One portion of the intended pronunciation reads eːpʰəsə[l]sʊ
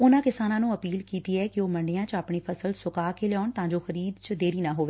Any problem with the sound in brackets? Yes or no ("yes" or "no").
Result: no